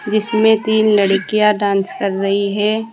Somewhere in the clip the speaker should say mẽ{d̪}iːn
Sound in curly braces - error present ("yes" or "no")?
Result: yes